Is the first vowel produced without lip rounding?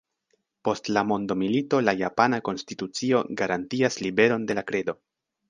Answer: no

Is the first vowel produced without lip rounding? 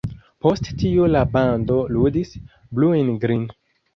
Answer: no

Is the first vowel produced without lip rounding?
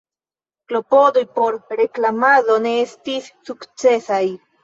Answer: no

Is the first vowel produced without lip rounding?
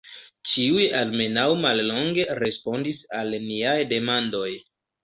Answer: yes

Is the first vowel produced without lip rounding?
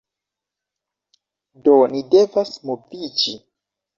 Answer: no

